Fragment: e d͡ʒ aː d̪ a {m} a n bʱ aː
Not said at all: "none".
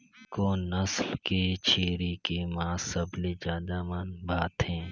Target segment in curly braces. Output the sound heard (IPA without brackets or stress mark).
m